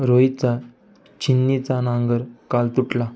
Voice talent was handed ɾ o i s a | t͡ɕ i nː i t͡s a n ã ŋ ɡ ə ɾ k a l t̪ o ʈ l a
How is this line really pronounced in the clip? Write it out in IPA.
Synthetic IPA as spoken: ɾ o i t͡s a | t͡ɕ i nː i t͡s a n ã ŋ ɡ ə ɾ k a l t̪ u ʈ l a